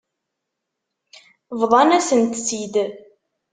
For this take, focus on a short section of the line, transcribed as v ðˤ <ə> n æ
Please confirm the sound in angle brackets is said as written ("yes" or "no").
no